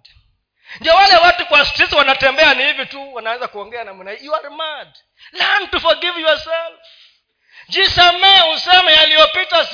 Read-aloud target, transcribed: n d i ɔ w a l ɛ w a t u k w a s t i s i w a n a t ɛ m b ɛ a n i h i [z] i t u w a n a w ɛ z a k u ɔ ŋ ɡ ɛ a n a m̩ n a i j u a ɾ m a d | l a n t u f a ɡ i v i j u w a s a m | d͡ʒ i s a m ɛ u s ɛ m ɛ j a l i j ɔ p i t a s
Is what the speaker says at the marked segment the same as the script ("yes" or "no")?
no